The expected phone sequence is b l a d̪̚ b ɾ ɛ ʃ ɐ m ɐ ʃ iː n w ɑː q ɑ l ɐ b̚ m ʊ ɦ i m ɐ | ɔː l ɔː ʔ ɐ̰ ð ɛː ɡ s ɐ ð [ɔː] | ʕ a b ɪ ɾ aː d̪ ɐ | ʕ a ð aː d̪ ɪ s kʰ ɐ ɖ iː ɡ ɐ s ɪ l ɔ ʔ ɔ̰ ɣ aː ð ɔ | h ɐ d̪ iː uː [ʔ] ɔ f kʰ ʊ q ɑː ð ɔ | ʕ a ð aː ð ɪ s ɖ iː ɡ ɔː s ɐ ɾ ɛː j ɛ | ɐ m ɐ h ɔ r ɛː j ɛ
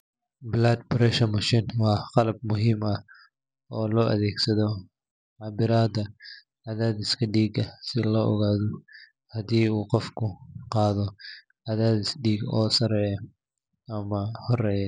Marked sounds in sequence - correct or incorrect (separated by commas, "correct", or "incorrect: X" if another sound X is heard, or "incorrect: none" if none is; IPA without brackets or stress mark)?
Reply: incorrect: ɔ, incorrect: q